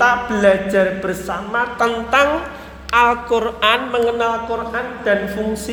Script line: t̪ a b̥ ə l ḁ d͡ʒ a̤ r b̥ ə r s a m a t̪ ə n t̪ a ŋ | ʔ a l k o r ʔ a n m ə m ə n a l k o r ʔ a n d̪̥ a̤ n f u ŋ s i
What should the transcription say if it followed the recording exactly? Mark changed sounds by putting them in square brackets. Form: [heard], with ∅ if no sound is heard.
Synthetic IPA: t̪ a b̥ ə l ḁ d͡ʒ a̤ r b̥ ə r s a m a t̪ ə n t̪ a ŋ | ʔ a l k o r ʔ a n m ə [ŋ] ə n a l k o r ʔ a n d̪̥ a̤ n f u ŋ s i